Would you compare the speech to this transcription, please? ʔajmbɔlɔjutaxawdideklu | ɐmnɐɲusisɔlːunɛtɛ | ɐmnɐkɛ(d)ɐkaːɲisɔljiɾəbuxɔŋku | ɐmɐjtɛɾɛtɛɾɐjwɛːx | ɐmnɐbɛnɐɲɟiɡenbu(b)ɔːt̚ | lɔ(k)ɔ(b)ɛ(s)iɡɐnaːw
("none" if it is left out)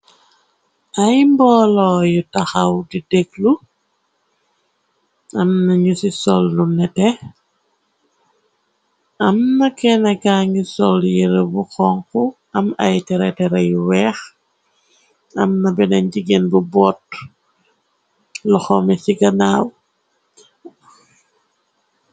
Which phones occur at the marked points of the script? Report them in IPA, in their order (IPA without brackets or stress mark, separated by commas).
n, b, x, m, s